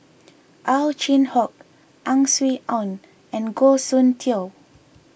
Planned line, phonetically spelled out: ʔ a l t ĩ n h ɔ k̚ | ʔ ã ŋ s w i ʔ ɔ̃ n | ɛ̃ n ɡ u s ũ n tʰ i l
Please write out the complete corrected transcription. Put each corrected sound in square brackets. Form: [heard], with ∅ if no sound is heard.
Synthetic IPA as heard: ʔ a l [t͡ʃ] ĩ n h ɔ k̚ | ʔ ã ŋ s w i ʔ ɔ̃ n | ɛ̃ n ɡ [o] s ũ n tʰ i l